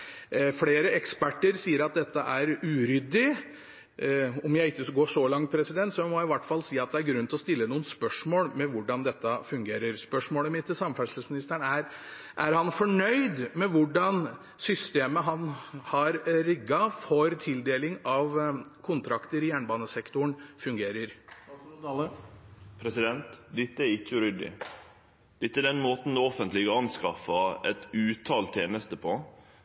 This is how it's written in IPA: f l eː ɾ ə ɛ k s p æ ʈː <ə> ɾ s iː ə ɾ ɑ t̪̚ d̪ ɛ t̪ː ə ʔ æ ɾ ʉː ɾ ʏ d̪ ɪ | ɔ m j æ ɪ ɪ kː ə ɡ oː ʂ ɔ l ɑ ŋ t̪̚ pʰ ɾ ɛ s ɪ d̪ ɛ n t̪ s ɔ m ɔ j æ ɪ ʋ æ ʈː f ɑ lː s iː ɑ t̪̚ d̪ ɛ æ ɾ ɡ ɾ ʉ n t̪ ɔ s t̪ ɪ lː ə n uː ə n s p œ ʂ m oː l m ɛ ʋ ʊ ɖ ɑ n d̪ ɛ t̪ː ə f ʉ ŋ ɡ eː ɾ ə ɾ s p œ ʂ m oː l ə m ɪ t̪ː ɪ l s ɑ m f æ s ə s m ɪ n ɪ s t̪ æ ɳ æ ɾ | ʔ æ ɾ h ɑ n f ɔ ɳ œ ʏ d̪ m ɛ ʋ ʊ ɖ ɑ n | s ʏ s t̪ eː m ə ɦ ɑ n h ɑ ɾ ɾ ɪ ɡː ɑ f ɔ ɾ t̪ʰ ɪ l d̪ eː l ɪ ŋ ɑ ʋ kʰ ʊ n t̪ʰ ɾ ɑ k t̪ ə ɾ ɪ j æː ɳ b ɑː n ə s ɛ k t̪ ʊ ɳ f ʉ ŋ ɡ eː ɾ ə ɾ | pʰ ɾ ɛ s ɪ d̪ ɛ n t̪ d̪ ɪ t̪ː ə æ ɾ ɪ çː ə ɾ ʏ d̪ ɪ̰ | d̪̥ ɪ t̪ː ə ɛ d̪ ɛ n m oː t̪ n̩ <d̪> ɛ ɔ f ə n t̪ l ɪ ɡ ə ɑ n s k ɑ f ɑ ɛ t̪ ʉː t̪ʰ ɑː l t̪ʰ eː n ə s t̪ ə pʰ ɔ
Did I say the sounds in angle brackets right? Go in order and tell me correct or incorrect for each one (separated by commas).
correct, correct